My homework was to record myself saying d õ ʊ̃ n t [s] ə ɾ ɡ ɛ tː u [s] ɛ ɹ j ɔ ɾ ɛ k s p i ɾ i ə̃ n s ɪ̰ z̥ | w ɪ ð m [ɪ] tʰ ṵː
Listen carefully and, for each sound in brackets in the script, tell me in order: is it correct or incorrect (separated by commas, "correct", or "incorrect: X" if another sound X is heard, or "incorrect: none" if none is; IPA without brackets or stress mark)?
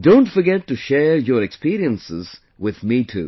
incorrect: f, incorrect: ʃ, incorrect: i